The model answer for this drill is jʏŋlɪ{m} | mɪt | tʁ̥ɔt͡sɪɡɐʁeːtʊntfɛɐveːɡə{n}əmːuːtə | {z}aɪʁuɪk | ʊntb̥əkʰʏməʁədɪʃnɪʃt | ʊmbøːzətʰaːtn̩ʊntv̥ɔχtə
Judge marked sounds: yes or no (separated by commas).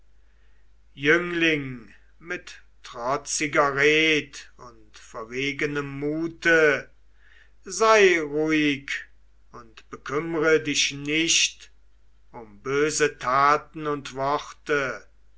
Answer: no, yes, yes